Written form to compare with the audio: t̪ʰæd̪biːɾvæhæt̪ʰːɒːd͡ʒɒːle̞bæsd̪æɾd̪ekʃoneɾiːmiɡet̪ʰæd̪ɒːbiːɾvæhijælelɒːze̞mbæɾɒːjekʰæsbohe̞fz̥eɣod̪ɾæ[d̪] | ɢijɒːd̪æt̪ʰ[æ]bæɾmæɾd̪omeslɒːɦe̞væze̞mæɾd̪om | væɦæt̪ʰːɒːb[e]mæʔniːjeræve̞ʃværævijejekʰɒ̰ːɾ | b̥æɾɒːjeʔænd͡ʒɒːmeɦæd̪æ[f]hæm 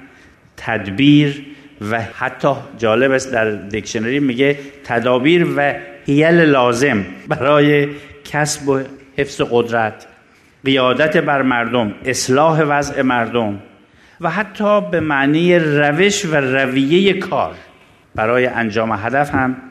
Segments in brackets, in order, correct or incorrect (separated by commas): incorrect, incorrect, correct, correct